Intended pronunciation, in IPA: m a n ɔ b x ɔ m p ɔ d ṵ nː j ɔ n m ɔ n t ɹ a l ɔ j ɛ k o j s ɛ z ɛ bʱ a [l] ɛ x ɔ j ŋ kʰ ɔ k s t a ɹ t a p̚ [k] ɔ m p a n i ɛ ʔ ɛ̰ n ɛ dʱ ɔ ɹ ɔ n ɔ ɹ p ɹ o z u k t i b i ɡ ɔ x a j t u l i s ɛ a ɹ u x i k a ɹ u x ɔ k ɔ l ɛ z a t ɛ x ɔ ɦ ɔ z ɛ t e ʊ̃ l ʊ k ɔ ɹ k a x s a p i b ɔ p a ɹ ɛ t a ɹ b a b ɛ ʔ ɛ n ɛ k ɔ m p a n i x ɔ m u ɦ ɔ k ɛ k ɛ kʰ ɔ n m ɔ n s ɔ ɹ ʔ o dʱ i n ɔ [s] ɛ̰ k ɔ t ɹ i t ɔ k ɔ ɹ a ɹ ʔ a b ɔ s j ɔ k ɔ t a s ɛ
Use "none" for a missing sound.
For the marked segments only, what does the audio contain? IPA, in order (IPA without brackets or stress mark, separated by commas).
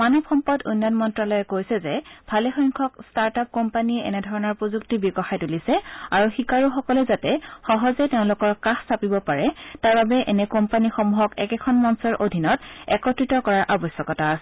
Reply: l, k, t